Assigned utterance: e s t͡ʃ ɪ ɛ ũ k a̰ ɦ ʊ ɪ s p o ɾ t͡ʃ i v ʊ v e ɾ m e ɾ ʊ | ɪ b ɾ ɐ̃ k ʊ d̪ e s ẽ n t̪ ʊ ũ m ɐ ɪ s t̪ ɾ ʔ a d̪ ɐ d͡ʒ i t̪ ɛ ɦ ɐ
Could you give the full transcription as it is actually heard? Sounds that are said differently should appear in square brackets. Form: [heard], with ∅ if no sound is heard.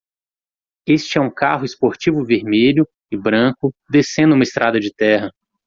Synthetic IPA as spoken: e s t͡ʃ ɪ ɛ ũ k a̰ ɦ ʊ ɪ s p o ɾ t͡ʃ i v ʊ v e ɾ m e [ʎ] ʊ | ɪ b ɾ ɐ̃ k ʊ d̪ e s ẽ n [d̪] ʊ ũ m ɐ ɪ s t̪ ɾ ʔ a d̪ ɐ d͡ʒ [ɪ] t̪ ɛ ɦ ɐ